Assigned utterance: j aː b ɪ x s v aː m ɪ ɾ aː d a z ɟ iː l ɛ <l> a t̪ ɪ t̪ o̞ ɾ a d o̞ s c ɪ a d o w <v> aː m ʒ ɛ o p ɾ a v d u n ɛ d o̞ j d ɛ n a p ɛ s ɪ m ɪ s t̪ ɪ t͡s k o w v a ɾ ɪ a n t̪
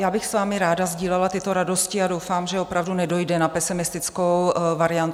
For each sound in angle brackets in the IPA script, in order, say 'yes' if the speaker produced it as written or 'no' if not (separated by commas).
yes, no